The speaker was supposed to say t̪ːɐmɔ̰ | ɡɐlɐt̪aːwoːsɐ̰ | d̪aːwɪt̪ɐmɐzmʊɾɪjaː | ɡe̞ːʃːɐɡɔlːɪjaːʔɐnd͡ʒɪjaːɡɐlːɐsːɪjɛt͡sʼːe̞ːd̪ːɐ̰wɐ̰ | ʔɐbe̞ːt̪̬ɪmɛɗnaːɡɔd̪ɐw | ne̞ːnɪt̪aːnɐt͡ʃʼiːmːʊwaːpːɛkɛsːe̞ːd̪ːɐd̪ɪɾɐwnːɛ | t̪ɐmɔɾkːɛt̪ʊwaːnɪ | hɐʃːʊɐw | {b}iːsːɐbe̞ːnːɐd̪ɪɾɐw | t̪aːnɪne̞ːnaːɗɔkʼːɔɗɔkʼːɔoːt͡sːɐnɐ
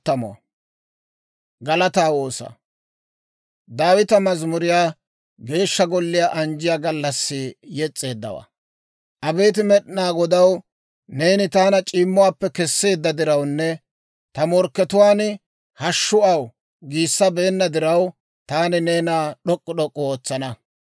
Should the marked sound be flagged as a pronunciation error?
yes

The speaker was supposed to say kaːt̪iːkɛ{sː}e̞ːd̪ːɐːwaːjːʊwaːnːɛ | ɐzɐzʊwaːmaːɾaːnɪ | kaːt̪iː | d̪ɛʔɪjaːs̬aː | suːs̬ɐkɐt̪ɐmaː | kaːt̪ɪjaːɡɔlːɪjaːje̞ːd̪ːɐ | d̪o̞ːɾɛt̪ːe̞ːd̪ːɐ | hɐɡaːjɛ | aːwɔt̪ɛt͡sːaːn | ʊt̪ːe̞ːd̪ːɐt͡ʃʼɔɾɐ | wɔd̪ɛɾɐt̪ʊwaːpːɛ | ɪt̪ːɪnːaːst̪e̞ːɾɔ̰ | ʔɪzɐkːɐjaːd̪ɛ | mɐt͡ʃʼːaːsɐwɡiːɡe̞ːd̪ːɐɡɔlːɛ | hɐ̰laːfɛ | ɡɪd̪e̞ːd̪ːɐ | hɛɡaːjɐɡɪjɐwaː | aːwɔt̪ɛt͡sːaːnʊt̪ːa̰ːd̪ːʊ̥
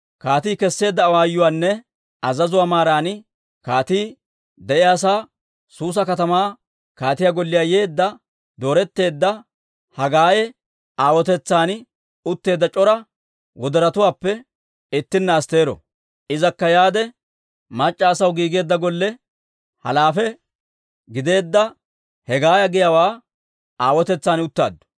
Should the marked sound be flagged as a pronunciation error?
no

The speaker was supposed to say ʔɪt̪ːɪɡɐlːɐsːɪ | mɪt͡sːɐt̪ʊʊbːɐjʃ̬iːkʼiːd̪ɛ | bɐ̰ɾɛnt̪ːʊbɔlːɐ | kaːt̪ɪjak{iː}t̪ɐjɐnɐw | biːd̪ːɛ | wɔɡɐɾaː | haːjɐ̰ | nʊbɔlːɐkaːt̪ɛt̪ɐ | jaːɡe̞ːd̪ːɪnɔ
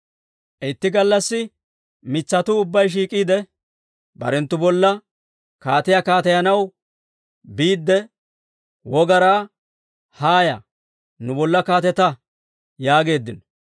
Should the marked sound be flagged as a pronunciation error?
yes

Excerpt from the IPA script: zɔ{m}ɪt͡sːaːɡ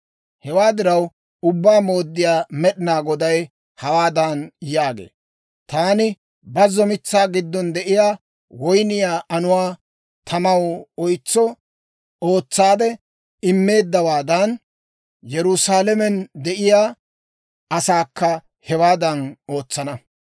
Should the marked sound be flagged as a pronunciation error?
no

